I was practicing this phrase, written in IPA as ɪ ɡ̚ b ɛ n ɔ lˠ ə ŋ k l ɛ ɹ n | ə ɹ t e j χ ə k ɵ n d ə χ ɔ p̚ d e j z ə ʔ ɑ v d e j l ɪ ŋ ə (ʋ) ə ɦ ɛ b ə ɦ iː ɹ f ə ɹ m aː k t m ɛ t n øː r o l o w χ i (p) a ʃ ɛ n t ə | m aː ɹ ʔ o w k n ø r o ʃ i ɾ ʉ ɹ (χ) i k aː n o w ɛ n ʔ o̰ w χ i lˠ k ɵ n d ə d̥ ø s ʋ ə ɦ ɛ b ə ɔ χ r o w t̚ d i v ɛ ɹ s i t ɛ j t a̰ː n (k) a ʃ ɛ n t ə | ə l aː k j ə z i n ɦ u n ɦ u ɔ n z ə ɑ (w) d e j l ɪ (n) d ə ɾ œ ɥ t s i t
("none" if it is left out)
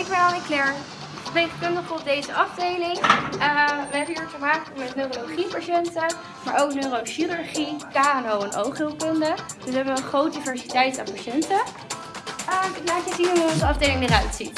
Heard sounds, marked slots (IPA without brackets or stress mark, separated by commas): ʋ, p, χ, p, v, ŋ